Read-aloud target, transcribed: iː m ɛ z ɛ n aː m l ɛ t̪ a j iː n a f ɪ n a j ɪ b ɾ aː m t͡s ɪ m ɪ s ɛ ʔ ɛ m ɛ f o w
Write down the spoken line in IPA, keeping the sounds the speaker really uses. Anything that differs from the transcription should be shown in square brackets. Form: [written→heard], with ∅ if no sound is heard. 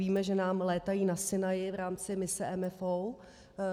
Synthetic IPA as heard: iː m ɛ [z→ʒ] ɛ n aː m l [ɛ→ɛː] t̪ a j iː n a [f→s] ɪ n a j ɪ [b→v] ɾ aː m t͡s ɪ m ɪ s ɛ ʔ ɛ m ɛ f o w